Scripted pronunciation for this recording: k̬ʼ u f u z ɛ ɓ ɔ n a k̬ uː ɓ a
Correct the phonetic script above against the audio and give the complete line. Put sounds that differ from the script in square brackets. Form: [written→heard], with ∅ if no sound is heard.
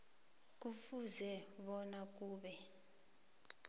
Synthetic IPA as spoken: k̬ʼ u f u z ɛ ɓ ɔ n a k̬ uː ɓ [a→ɛ]